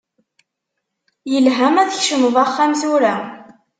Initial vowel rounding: unrounded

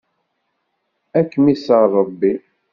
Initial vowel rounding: unrounded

